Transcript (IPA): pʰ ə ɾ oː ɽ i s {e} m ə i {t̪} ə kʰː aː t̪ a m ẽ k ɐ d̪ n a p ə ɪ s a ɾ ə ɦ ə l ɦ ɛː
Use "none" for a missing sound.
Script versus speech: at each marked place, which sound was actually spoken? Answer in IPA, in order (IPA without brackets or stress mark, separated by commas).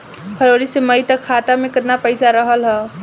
e, t̪